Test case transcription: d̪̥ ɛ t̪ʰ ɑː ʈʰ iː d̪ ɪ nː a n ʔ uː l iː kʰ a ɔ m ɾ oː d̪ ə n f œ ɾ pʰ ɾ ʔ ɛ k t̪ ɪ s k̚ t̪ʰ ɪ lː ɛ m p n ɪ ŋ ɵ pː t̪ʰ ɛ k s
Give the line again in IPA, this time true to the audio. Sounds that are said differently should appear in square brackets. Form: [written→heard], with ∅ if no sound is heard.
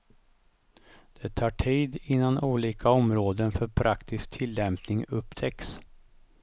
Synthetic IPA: d̪̥ ɛ t̪ʰ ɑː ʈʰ iː d̪ ɪ nː a n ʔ uː l iː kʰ a ɔ m ɾ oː d̪ ə n f œ ɾ pʰ ɾ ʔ [ɛ→a] k t̪ ɪ s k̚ t̪ʰ ɪ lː ɛ m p n ɪ ŋ ɵ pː t̪ʰ ɛ k s